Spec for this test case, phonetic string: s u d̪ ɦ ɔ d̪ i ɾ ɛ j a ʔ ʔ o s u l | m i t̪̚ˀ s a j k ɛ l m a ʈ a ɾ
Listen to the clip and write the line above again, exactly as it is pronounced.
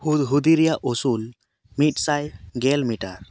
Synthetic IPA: h u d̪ ɦ u d̪ i ɾ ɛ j a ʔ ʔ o s u l | m i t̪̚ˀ s a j ɡ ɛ l m i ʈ a ɾ

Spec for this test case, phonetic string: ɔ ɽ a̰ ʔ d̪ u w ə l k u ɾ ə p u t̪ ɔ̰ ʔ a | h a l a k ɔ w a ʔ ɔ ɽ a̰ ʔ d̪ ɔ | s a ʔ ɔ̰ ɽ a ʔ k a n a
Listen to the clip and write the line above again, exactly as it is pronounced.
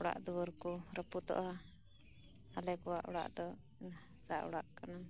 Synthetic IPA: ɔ ɽ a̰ ʔ d̪ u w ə ɾ k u ɾ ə p u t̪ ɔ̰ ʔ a | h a l ɛ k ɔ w a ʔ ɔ ɽ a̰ ʔ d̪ ɔ | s a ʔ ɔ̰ ɽ a ʔ k a n a

